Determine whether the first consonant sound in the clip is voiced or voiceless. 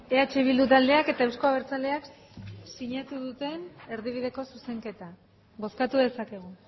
voiceless